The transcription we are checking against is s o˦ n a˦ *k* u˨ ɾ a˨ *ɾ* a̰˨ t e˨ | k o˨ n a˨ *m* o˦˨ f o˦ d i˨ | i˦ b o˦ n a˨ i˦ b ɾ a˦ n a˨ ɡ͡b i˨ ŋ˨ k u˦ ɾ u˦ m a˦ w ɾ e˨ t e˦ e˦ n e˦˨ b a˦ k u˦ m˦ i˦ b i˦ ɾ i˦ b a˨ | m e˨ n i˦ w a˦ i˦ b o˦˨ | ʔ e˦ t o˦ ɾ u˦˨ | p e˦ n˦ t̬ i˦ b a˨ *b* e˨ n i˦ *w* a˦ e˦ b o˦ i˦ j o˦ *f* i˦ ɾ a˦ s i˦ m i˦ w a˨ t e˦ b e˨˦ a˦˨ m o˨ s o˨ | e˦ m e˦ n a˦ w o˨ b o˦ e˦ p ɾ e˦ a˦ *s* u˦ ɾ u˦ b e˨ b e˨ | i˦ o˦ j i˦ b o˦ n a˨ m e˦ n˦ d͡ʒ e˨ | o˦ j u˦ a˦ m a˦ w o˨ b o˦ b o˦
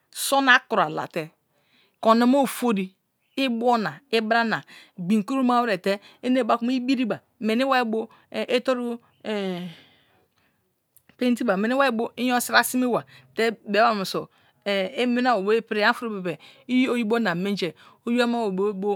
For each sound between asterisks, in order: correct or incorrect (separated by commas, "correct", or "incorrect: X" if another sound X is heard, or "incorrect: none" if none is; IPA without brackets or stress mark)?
correct, incorrect: l, correct, incorrect: m, correct, incorrect: s, incorrect: f